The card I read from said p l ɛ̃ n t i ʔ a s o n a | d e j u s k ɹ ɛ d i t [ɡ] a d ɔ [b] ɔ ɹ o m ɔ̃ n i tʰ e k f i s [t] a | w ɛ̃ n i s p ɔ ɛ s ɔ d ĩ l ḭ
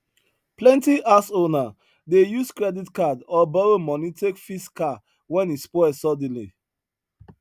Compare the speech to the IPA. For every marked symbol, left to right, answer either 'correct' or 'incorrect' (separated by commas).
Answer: incorrect, correct, incorrect